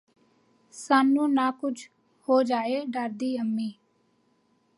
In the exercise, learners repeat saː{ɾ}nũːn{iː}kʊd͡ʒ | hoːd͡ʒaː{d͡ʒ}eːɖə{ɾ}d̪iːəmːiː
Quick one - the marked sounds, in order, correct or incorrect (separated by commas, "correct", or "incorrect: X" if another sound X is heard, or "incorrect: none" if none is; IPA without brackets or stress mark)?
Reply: incorrect: none, incorrect: aː, incorrect: none, correct